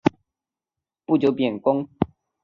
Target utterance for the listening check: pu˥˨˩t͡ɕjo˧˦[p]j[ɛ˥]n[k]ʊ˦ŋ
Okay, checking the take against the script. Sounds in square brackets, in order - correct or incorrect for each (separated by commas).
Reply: correct, incorrect, correct